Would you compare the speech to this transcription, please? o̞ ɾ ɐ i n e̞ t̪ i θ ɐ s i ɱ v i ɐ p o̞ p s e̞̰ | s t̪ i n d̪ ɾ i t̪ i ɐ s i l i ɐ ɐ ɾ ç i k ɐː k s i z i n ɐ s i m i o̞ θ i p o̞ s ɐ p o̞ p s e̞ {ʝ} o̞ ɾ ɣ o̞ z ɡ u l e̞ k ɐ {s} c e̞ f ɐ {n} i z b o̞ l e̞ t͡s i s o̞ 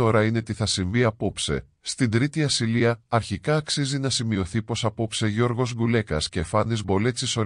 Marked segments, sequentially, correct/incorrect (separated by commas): correct, correct, correct